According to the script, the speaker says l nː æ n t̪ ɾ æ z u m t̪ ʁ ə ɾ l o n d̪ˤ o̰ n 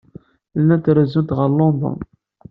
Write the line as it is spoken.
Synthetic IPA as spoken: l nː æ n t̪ ɾ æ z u n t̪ ʁ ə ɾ l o n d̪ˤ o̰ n

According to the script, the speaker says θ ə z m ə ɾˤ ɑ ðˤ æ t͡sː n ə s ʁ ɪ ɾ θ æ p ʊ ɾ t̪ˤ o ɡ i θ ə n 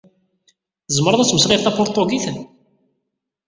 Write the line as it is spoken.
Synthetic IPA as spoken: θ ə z m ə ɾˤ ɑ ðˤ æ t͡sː m ə s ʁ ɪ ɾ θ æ p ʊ ɾ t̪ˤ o ɡ i θ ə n

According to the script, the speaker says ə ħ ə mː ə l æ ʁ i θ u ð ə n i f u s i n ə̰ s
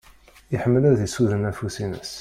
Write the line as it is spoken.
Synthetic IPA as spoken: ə ħ ə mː ə l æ ð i s u ð ə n æ f u s i n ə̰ s

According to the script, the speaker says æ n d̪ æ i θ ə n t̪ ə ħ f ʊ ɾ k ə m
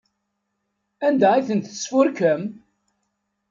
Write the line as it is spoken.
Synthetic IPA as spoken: æ n d̪ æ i θ ə n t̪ ə s f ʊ ɾ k ə m

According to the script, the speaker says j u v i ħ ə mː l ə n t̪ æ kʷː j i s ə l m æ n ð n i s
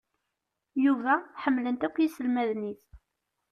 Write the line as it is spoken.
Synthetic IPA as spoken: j u v æ ħ ə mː l ə n t̪ æ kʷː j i s ə l m æ ð n i θ

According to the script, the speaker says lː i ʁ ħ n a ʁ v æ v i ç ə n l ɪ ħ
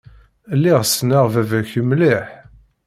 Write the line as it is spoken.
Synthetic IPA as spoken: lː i ʁ s n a ʁ v æ v æ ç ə m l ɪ ħ

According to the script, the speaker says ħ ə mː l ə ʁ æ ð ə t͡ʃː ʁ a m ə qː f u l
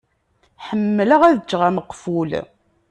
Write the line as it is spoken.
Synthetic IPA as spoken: ħ ə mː l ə ʁ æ ð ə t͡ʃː ʁ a m ə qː f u l

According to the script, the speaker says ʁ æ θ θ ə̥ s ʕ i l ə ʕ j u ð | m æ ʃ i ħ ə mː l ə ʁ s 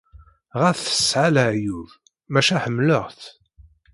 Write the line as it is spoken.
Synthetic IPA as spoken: ʁ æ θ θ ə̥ s ʕ a l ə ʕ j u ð | m æ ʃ æ ħ ə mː l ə ʁ θ

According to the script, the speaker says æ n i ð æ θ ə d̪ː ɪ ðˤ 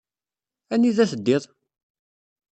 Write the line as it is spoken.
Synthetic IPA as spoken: æ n i ð æ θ ə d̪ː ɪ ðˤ

